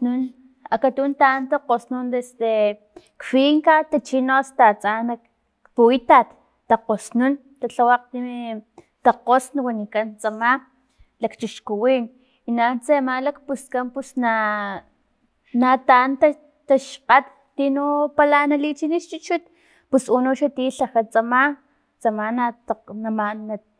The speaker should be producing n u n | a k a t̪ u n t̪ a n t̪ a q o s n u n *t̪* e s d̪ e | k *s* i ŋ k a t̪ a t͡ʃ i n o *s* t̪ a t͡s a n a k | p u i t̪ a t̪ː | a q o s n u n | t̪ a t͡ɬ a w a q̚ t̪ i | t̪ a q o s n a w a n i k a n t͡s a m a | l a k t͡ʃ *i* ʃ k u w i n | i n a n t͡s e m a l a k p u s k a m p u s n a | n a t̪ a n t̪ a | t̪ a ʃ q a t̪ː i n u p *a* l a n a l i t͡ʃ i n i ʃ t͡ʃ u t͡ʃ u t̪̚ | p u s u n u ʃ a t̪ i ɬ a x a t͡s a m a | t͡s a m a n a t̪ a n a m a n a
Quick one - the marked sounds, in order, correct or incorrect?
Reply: incorrect, incorrect, correct, correct, correct

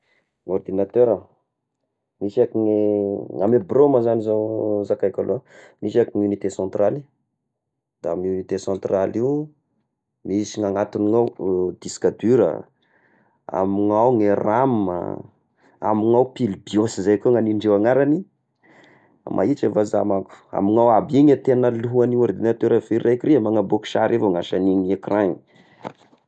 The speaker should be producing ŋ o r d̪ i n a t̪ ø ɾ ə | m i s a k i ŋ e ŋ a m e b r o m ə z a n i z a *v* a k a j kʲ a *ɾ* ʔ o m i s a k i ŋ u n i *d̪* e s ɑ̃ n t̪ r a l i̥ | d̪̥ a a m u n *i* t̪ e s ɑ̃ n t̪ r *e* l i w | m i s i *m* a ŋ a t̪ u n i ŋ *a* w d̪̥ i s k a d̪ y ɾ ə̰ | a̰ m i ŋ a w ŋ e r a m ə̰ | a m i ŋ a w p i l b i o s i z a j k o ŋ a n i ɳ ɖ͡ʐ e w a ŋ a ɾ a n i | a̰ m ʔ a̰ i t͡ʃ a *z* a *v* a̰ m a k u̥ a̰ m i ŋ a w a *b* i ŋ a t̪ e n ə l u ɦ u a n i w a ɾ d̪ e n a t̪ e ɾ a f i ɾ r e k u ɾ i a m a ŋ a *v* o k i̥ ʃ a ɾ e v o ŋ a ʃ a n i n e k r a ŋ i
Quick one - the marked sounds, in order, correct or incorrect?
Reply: incorrect, incorrect, incorrect, correct, incorrect, incorrect, correct, incorrect, incorrect, correct, incorrect

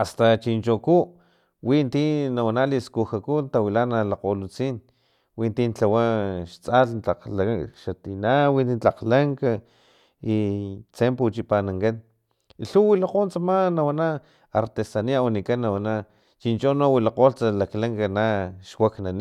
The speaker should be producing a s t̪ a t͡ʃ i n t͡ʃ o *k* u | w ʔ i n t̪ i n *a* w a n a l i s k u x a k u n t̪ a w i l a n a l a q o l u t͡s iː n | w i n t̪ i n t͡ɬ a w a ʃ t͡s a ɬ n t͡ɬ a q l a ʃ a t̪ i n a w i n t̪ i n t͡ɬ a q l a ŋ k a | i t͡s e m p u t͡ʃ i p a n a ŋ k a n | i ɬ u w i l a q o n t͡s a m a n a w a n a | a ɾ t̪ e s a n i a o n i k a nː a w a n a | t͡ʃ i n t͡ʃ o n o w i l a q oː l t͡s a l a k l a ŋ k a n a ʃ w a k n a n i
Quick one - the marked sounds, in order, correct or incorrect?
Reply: correct, correct

